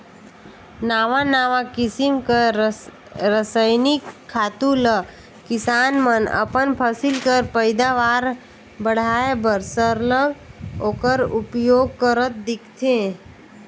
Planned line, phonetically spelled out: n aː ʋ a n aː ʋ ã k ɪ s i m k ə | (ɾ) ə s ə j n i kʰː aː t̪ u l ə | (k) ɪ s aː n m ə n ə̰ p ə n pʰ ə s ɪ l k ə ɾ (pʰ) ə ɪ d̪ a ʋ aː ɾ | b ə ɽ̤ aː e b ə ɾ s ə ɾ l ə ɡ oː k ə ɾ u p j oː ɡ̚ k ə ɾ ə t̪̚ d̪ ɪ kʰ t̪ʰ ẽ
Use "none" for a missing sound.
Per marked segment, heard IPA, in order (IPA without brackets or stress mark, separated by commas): ɾ, k, p